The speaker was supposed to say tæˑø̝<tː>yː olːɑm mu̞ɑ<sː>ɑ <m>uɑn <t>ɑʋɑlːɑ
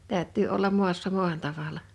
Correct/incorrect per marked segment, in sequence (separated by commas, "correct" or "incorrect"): correct, correct, correct, correct